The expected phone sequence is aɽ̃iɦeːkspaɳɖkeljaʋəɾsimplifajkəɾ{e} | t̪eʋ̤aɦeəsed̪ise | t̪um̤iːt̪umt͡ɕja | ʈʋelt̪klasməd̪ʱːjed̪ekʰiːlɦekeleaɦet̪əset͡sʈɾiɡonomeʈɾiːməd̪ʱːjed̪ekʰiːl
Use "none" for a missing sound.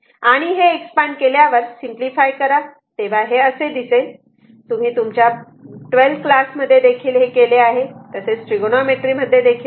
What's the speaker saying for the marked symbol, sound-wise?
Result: a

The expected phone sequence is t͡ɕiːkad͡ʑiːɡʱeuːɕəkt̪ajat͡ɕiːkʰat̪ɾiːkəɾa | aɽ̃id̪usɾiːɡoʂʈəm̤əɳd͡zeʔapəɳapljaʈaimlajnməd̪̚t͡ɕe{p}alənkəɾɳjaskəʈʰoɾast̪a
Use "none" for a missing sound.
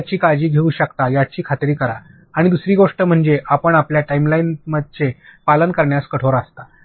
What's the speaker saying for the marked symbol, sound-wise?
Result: p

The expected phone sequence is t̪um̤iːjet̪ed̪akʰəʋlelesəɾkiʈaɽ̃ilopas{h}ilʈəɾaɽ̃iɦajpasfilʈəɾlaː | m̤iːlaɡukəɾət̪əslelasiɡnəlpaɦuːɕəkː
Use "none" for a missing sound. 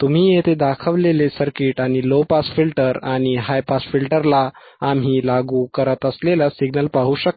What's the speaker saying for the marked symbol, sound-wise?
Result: f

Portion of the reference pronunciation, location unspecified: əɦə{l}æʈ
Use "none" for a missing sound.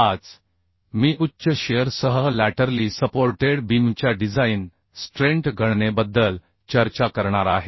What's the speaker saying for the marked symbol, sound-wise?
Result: l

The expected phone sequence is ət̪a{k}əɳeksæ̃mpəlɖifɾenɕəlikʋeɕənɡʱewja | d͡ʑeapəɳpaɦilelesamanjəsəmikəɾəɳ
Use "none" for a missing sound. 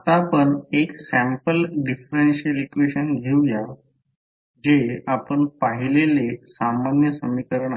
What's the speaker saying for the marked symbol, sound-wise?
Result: p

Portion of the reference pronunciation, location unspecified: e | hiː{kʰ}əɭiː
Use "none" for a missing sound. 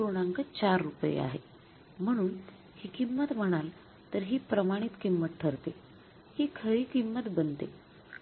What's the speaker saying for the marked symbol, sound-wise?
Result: kʰ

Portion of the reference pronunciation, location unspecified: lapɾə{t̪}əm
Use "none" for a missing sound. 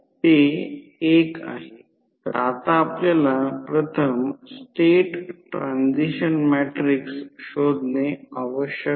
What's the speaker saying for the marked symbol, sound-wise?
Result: t̪ʰ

